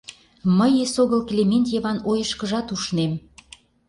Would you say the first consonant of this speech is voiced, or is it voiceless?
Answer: voiced